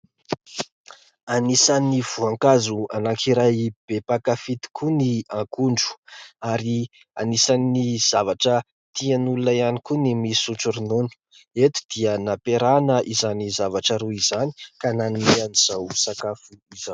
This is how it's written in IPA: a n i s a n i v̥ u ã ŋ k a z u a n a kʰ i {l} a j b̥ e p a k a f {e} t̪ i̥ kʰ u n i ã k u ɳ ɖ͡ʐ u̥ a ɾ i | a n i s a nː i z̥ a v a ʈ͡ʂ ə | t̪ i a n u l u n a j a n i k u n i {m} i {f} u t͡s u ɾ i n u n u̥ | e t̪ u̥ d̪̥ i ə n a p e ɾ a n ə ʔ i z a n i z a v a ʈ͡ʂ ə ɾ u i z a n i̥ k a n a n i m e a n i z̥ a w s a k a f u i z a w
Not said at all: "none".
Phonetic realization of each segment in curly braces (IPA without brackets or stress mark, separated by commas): ɾ, i, m, s